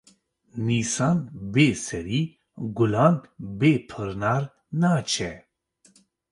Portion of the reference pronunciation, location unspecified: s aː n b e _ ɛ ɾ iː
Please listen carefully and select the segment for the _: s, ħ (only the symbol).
s